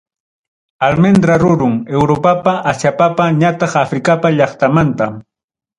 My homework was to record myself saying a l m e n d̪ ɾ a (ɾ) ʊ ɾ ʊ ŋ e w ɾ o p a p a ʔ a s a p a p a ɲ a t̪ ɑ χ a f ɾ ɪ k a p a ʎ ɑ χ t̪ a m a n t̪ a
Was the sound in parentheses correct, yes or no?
yes